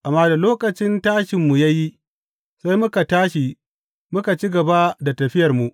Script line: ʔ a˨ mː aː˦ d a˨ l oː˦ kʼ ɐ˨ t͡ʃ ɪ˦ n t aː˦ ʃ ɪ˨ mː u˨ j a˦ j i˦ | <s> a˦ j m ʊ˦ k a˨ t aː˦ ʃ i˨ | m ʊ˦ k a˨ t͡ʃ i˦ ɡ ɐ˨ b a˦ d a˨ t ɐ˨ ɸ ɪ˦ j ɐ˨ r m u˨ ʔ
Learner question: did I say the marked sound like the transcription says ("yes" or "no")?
yes